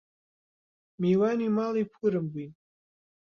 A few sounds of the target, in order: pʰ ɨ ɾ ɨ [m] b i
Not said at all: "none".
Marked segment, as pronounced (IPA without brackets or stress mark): m